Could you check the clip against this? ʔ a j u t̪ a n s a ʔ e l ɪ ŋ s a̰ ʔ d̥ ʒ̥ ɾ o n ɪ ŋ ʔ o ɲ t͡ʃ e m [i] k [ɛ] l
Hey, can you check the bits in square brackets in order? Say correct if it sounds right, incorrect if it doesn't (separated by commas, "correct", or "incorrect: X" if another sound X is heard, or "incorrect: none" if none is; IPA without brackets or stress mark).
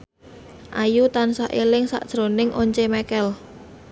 incorrect: ɛ, correct